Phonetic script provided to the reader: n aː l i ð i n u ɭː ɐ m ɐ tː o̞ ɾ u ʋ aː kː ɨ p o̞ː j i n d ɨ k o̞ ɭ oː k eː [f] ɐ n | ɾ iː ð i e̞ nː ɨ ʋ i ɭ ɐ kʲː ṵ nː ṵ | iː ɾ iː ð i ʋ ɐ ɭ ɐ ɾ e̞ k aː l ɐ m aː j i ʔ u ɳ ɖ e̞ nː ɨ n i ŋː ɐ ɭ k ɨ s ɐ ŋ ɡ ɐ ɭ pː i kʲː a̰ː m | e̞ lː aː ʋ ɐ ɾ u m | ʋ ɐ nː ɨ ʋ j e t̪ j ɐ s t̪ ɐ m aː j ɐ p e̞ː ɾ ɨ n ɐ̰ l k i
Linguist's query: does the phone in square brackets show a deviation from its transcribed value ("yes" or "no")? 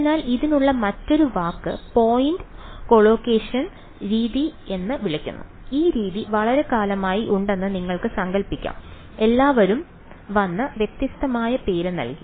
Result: yes